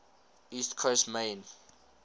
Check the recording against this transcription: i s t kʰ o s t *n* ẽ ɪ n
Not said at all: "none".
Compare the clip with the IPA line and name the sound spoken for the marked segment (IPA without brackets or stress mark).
m